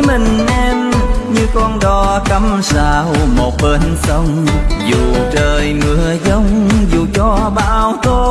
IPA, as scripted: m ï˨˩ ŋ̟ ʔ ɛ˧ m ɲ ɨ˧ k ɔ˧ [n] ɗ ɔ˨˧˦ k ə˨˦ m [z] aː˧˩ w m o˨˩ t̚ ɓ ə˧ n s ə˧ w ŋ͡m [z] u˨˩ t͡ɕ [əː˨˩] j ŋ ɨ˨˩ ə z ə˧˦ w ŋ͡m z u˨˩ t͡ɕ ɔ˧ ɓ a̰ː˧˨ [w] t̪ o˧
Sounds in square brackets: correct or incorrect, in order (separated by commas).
correct, incorrect, correct, correct, correct